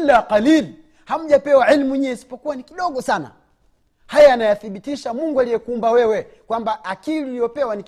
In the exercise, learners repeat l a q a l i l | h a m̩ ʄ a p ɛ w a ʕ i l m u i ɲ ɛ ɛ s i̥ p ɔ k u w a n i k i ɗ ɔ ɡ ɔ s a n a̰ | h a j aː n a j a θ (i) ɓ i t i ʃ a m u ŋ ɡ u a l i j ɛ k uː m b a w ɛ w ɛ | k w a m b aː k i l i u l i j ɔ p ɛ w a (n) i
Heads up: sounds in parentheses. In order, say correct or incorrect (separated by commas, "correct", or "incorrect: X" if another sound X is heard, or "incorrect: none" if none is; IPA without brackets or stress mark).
correct, correct